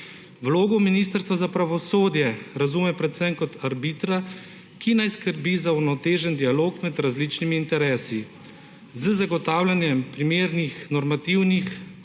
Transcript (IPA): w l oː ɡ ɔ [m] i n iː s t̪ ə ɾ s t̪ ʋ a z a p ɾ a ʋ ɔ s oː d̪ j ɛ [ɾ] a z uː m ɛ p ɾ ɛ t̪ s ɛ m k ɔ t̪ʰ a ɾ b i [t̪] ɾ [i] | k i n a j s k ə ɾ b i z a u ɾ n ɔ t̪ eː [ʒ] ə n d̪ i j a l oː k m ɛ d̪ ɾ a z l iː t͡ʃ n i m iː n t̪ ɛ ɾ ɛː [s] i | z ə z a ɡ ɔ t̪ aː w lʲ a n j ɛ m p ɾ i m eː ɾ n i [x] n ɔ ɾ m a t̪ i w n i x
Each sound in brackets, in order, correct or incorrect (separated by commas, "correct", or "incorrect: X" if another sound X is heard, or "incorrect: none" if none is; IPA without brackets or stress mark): correct, correct, correct, incorrect: a, correct, correct, correct